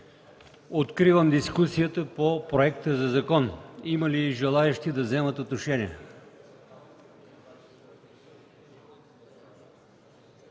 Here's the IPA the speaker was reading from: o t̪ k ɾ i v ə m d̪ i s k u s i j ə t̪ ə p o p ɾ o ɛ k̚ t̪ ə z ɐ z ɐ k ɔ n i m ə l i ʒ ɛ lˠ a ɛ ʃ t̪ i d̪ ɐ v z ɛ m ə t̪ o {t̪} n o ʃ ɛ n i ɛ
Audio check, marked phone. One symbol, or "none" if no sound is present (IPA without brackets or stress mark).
t̪